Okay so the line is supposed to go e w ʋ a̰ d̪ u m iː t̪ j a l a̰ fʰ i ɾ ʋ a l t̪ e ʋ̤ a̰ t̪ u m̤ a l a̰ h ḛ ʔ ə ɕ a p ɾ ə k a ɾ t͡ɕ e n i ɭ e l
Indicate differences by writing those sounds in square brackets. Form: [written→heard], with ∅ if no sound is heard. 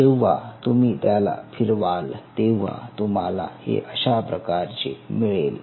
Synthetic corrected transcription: e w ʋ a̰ [d̪→t̪] u m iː t̪ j a l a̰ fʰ i ɾ ʋ a l t̪ e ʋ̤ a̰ t̪ u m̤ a l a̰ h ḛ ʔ ə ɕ a p ɾ ə k a ɾ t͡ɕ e [n→m] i ɭ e l